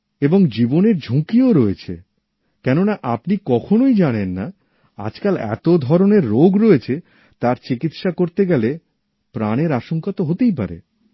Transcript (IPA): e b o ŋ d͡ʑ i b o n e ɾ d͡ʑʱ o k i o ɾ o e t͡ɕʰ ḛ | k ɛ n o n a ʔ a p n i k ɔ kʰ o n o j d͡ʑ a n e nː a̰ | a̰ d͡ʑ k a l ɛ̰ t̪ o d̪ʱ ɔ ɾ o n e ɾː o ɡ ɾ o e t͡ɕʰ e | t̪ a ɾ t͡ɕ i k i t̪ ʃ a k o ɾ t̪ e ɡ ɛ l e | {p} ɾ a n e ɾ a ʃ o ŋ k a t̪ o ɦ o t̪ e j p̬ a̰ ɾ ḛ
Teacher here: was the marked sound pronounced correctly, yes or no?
yes